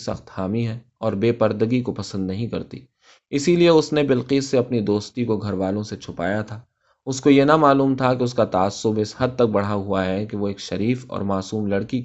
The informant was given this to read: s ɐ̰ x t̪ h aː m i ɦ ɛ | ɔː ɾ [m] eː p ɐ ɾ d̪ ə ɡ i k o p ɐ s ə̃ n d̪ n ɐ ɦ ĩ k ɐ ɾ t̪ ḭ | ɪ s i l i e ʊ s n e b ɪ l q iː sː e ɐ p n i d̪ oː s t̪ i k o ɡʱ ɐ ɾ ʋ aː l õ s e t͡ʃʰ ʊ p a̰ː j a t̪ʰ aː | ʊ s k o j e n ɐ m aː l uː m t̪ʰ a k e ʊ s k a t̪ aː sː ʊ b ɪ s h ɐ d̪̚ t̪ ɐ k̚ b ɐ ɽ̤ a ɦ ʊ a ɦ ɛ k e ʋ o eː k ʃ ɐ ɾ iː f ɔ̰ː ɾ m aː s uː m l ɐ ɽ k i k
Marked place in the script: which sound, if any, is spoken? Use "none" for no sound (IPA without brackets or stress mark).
b